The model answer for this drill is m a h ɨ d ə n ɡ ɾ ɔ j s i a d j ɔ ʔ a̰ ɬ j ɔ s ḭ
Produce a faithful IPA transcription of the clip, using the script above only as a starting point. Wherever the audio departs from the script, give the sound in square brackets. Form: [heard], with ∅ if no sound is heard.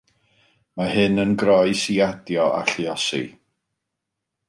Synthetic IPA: m a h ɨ [n] ə n ɡ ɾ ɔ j s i a d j ɔ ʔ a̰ ɬ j ɔ s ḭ